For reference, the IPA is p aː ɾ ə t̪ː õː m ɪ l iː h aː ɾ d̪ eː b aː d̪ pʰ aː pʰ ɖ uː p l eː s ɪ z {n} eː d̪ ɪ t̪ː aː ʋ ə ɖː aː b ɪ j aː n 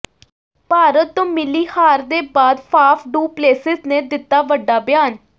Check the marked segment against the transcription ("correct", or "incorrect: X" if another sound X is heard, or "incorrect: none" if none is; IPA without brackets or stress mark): correct